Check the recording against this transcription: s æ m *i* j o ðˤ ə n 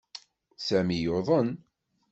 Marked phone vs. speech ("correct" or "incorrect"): correct